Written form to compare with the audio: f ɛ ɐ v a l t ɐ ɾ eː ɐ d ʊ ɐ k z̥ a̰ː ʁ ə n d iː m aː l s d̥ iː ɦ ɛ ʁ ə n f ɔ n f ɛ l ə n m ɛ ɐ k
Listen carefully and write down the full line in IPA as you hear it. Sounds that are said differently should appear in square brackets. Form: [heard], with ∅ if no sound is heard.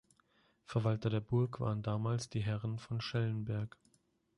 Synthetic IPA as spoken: f ɛ ɐ v a l t ɐ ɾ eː ɐ [b] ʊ ɐ k [v̥] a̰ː ʁ ə n d [aː] m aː l s d̥ iː ɦ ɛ ʁ ə n f ɔ n [ʃ] ɛ l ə n [b] ɛ ɐ k